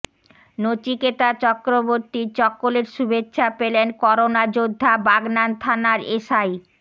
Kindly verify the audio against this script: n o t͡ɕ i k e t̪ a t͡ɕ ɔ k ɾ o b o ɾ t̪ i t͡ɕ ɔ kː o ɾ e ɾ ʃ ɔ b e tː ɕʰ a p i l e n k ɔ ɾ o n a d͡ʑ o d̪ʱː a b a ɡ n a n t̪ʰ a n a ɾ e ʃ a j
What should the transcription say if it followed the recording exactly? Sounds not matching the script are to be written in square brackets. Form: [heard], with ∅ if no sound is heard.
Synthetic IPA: n o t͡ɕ i k e t̪ a t͡ɕ ɔ k ɾ o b o ɾ t̪ i t͡ɕ ɔ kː o [l] e ɾ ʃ [u] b e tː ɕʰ a p [e] l e n k ɔ ɾ o n a d͡ʑ o d̪ʱː a b a ɡ n a n t̪ʰ a n a ɾ e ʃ a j